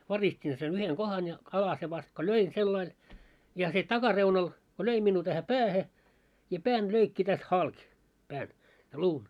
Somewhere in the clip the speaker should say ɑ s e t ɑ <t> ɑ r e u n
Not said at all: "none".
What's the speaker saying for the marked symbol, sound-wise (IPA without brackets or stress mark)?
k